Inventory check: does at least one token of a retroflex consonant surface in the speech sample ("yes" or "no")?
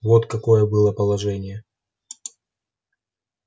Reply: yes